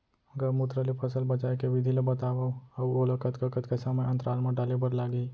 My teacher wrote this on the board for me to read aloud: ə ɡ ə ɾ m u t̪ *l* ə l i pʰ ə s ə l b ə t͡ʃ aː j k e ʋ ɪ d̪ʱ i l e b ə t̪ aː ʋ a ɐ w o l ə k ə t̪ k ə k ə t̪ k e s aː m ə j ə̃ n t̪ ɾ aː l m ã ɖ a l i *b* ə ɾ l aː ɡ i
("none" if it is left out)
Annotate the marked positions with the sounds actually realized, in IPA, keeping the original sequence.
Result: ɾ, b

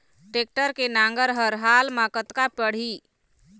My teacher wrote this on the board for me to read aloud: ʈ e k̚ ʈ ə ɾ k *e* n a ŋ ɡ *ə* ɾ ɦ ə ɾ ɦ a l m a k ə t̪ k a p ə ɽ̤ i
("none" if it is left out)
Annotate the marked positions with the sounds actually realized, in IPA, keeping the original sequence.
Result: e, ə

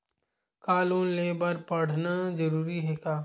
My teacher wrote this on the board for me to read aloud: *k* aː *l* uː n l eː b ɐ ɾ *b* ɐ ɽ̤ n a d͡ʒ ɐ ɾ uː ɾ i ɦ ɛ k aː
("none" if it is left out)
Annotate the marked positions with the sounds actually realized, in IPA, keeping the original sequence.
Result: k, l, p

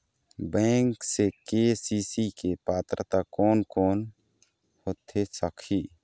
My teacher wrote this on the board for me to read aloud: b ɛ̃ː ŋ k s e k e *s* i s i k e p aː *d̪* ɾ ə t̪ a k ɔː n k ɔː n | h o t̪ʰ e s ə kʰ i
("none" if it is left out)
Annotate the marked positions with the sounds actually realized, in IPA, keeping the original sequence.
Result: s, t̪

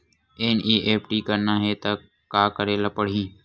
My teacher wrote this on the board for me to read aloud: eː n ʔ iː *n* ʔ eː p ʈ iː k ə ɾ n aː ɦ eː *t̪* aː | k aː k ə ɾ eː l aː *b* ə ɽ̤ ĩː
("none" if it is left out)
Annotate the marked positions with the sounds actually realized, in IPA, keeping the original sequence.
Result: none, t̪, p

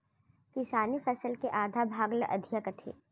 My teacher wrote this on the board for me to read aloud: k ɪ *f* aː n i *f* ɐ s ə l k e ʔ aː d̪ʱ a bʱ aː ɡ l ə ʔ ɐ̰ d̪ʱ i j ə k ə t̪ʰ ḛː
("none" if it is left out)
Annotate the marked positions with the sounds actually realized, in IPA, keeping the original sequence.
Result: s, f

